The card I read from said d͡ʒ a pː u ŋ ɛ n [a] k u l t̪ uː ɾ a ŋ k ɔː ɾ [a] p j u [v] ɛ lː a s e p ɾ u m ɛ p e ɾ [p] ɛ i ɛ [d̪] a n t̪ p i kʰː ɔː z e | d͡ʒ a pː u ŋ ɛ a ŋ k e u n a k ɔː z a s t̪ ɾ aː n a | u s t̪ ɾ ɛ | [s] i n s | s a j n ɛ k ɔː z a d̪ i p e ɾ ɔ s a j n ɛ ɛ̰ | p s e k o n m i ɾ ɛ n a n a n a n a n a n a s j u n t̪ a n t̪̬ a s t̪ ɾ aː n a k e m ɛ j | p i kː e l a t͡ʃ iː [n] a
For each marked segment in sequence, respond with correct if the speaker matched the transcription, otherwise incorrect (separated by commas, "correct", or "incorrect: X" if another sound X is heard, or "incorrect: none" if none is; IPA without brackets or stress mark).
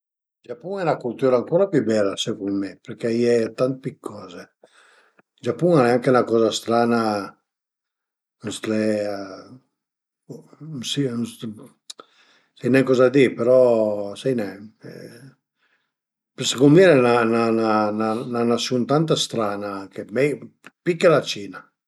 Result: correct, correct, incorrect: b, incorrect: k, incorrect: t̪, correct, correct